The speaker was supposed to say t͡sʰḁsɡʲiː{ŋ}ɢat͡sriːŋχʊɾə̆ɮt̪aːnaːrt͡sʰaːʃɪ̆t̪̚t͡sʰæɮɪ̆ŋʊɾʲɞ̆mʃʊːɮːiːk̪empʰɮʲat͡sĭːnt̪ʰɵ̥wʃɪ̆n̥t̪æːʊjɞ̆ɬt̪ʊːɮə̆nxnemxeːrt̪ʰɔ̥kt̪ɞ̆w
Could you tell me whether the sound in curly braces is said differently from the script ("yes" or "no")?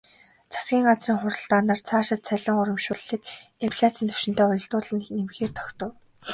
no